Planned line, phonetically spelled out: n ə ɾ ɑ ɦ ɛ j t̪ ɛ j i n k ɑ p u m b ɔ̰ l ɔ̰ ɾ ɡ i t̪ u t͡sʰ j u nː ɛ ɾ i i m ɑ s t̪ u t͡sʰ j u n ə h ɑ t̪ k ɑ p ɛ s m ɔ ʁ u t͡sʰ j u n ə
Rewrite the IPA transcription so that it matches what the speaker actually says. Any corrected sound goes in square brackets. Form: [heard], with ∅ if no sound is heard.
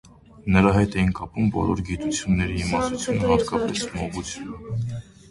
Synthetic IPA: n ə ɾ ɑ ɦ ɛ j t̪ ɛ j i n k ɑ p u m b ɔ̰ l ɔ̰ ɾ ɡ i t̪ u t͡sʰ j u nː ɛ ɾ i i m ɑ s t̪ u t͡sʰ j u n ə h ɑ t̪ k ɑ p ɛ s m ɔ ʁ u t͡sʰ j u n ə